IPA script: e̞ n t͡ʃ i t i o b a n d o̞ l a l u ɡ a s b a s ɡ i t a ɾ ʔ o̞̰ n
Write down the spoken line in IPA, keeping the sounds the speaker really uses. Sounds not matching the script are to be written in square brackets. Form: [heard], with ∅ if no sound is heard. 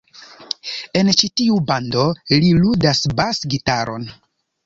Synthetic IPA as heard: e̞ n t͡ʃ i t i [u] b a n d o̞ l [i] l u [d] a s b a s ɡ i t a ɾ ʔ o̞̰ n